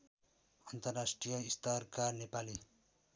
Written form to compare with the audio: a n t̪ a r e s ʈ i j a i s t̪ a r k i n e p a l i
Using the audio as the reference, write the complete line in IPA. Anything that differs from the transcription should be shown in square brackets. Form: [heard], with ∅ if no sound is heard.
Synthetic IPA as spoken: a n t̪ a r [a] s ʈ i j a i s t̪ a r k [a] n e p a l i